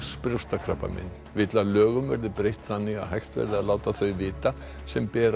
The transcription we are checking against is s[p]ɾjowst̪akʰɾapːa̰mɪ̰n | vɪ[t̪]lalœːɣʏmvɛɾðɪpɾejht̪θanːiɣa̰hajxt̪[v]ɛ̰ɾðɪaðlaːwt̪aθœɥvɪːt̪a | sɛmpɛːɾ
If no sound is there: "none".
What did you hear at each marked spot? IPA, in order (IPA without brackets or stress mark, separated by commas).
p, t̪, v